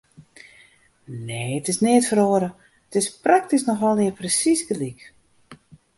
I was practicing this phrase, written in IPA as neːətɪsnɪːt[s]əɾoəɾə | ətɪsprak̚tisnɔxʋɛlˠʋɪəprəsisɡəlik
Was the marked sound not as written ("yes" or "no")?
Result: yes